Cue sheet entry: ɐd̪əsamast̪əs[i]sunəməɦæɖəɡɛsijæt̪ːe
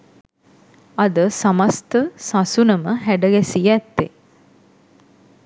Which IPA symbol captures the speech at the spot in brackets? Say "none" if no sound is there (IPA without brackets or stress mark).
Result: a